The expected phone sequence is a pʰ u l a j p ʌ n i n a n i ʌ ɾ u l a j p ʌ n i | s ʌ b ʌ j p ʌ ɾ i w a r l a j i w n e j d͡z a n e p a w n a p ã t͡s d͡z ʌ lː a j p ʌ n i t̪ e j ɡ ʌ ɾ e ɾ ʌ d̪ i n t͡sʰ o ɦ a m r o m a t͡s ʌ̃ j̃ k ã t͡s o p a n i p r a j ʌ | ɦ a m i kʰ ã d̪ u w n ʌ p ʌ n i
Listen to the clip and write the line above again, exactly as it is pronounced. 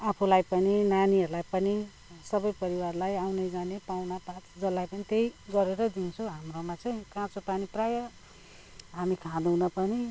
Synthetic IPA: a pʰ u l a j p ʌ n i n a n i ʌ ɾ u l a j p ʌ n i | s ʌ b ʌ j p ʌ ɾ i w a r l a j a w n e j d͡z a n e p a w n a p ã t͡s d͡z ʌ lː a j p ʌ n i t̪ e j ɡ ʌ ɾ e ɾ ʌ d̪ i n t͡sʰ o ɦ a m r o m a t͡s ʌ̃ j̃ k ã t͡s o p a n i p r a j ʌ | ɦ a m i kʰ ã d̪ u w n ʌ p ʌ n i